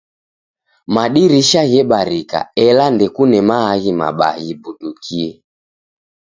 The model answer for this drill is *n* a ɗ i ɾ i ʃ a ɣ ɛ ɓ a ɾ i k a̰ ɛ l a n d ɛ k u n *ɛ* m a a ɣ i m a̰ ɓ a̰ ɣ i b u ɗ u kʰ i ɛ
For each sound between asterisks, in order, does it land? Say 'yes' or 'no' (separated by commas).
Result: no, yes